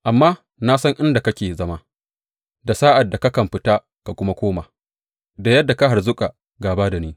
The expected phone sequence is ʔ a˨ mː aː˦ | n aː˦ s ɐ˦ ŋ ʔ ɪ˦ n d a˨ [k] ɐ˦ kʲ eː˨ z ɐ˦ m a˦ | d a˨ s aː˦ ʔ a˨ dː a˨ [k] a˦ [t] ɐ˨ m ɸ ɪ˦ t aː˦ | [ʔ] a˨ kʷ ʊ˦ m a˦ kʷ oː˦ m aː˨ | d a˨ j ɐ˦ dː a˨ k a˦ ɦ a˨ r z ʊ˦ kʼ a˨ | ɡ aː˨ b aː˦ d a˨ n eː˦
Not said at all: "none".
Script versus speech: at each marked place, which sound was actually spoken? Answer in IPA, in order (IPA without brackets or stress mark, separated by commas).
k, k, k, k